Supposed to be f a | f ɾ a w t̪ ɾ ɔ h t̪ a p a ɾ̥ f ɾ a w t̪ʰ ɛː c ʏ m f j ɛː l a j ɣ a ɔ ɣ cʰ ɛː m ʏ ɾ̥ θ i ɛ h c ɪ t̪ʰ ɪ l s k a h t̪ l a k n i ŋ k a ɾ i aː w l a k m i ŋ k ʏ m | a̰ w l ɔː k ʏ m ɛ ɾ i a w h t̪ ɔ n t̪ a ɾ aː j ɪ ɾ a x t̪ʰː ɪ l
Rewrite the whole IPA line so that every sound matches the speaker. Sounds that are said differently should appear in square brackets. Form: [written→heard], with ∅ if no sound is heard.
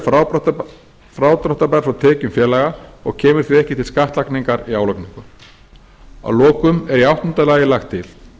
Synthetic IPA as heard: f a | f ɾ a w t̪ ɾ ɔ h t̪ a p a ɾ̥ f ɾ a w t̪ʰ ɛː c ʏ m f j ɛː l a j ɣ a ɔ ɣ cʰ ɛː m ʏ ɾ̥ θ i ɛ h c ɪ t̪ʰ ɪ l s k a h t̪ l a k n i ŋ k a ɾ i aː w l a k [m→n] i ŋ k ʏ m | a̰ w l ɔː k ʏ m ɛ ɾ i a w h t̪ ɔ n t̪ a [ɾ→l] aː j ɪ [ɾ→l] a x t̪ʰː ɪ l